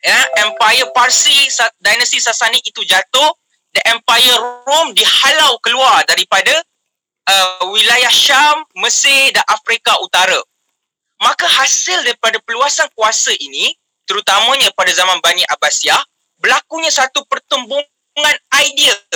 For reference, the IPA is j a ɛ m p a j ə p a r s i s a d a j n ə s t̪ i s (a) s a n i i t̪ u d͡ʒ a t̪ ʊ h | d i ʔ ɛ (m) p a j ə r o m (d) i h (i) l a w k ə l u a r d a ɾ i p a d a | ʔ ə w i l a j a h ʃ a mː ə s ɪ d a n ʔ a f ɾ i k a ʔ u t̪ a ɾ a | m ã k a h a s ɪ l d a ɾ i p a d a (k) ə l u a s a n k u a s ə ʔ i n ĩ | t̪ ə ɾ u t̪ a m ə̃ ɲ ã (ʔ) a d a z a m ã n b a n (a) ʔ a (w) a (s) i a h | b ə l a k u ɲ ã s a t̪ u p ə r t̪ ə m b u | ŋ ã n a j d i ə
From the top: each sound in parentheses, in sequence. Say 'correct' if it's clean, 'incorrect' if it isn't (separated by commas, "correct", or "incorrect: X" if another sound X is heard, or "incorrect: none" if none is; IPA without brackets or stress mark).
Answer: correct, correct, correct, incorrect: a, incorrect: p, incorrect: p, incorrect: i, incorrect: b, correct